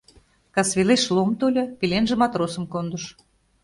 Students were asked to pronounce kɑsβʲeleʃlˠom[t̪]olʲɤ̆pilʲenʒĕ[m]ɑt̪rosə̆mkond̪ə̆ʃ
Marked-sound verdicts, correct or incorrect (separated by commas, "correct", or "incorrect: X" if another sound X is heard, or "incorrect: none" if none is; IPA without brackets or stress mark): correct, correct